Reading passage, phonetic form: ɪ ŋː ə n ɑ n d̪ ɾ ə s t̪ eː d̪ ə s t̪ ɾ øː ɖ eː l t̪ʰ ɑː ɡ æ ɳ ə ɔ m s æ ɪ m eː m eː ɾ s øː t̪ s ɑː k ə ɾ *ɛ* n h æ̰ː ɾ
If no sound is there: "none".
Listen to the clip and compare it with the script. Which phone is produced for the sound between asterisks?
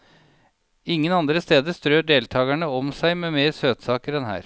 ɛ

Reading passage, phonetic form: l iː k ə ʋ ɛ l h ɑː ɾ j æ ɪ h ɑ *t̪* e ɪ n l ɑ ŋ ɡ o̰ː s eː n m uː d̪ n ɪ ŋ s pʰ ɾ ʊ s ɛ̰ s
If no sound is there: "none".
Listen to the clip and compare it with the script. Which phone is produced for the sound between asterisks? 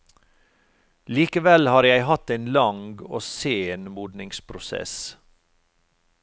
t̪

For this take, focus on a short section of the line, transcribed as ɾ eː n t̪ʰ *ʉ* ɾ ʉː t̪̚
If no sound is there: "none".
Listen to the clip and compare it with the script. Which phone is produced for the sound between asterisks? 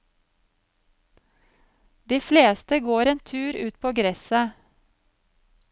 ʉː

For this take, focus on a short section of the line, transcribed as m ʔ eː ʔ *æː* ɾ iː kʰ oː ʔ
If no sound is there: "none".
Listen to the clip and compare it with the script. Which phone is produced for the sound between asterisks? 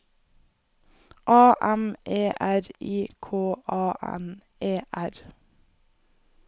æ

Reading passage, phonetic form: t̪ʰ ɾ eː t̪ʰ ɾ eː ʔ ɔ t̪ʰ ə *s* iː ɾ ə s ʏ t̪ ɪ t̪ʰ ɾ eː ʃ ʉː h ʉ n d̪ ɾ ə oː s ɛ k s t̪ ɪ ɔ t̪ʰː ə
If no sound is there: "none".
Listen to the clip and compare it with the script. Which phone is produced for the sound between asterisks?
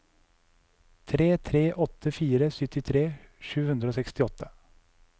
f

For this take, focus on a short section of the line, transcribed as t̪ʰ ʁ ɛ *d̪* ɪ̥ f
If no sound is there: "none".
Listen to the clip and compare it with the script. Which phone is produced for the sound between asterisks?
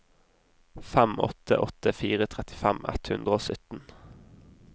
t̪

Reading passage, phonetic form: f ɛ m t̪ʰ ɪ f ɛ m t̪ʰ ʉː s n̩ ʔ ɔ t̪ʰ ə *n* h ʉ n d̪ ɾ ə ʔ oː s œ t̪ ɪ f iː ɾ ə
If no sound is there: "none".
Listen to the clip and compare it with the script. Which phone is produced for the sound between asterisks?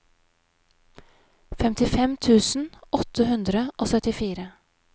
none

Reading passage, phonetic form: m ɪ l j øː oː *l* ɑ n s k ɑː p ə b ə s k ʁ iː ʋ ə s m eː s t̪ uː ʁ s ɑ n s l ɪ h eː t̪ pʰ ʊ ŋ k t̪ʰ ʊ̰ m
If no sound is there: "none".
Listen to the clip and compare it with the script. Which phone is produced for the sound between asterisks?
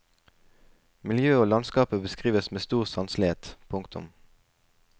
l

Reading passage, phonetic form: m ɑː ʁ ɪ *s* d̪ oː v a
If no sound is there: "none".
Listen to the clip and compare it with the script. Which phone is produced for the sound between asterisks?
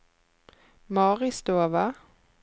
s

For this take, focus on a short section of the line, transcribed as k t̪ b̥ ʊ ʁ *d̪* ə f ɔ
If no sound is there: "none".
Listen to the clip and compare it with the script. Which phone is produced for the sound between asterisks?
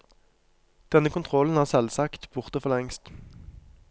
t̪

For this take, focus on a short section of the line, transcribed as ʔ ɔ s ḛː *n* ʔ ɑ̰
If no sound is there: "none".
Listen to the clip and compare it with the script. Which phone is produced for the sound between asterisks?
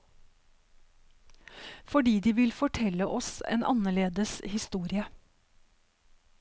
n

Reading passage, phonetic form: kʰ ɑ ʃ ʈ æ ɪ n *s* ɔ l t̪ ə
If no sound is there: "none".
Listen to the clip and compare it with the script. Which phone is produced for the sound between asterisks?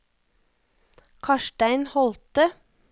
h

